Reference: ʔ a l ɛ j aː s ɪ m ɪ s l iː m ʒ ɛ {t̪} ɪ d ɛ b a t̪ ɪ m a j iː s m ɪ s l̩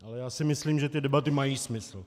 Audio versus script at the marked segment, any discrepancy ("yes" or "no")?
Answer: no